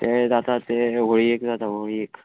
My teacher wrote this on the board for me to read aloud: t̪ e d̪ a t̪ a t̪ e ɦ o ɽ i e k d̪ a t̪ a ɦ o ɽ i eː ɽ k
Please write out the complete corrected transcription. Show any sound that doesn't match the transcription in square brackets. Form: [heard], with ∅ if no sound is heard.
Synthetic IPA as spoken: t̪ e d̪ a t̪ a t̪ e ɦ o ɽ i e k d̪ a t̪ a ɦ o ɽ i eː [∅] k